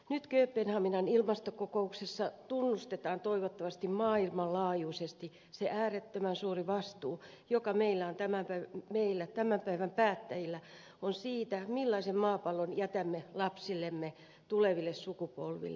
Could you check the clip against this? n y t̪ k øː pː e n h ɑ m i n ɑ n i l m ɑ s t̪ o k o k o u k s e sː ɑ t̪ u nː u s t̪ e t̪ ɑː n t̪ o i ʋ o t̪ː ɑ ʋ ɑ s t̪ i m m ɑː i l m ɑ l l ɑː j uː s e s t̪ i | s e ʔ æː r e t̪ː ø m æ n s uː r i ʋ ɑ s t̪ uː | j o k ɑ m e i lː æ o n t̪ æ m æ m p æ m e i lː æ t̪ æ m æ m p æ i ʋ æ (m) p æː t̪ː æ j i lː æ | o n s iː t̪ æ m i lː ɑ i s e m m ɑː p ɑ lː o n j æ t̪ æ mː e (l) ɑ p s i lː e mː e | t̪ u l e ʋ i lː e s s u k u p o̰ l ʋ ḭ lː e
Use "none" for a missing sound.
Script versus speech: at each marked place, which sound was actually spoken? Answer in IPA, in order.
m, l

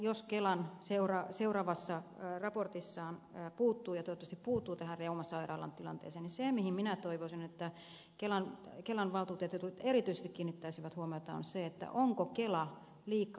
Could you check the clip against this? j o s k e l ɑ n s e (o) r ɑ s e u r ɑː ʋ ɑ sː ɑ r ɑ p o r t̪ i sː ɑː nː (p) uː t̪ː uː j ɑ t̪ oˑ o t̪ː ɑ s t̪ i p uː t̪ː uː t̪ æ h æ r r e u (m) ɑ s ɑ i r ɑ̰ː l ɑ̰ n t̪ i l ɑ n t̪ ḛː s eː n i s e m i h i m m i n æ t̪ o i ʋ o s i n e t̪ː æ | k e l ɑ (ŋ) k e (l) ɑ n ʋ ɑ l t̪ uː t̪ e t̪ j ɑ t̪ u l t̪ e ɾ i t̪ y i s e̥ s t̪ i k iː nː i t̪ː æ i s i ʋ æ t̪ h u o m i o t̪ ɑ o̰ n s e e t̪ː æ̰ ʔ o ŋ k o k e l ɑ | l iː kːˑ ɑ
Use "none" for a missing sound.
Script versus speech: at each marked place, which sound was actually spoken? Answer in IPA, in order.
u, p, m, n, l

